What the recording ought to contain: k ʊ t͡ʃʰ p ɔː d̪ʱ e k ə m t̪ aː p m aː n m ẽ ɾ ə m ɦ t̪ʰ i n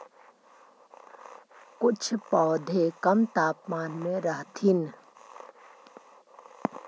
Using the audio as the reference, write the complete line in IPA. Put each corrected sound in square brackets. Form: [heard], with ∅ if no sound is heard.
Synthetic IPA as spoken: k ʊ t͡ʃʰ p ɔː d̪ʱ e k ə m t̪ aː p m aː n m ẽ ɾ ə [∅] ɦ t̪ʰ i n